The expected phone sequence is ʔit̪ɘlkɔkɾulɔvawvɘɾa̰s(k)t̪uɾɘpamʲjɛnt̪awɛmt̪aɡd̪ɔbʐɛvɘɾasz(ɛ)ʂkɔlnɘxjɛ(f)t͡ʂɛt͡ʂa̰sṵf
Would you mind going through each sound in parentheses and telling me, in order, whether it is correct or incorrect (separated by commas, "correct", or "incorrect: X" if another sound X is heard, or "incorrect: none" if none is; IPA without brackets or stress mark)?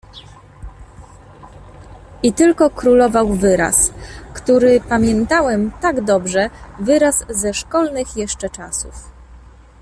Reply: correct, correct, incorrect: ʂ